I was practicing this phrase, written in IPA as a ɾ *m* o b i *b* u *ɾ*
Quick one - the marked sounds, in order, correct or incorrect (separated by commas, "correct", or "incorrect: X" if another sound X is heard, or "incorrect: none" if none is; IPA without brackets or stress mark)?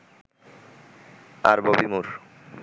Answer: incorrect: b, incorrect: m, correct